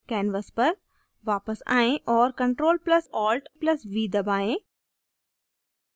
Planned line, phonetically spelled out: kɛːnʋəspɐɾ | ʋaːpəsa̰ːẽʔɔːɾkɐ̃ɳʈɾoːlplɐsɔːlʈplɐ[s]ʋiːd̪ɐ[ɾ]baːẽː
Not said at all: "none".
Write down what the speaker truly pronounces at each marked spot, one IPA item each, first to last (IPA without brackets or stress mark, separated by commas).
s, none